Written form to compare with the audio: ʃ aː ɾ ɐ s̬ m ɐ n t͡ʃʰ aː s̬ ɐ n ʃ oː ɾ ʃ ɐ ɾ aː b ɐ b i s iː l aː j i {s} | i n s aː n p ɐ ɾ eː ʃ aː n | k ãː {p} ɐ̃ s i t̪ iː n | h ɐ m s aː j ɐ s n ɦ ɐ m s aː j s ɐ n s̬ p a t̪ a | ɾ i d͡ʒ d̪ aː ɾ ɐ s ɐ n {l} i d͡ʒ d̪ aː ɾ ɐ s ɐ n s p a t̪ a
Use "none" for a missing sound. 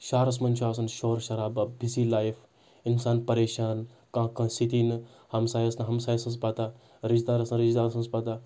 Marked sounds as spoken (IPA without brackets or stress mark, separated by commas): f, k, ɾ